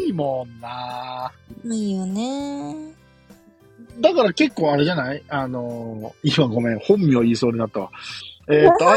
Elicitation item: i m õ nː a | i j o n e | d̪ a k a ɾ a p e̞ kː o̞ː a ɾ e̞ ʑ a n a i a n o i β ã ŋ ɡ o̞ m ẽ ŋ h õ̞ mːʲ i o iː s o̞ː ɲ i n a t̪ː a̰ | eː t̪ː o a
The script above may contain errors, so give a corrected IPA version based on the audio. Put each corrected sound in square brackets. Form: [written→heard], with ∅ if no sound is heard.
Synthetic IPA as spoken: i m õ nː a | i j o n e | d̪ a k a ɾ a [p→k] e̞ kː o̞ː a ɾ e̞ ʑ a n a i a n o i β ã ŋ ɡ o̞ m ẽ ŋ h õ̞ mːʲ i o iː s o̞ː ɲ i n a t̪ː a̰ | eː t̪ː o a